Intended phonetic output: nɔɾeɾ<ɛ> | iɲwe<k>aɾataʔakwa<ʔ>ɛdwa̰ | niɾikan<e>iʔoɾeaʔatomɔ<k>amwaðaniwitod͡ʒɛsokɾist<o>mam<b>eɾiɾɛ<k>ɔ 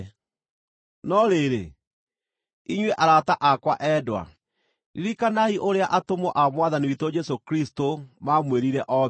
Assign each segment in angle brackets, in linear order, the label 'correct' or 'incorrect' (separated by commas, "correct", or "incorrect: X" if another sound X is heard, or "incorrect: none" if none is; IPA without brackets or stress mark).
incorrect: e, incorrect: ʔ, correct, incorrect: a, incorrect: ʔ, correct, incorrect: w, incorrect: ʔ